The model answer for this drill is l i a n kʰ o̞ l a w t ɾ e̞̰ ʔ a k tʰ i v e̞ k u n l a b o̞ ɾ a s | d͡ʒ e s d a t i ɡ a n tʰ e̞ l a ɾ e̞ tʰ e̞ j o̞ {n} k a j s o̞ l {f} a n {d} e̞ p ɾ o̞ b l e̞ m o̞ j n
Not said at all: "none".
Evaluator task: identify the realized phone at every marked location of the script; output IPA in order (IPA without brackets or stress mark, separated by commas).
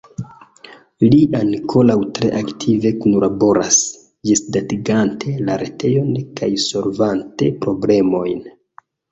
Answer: n, v, t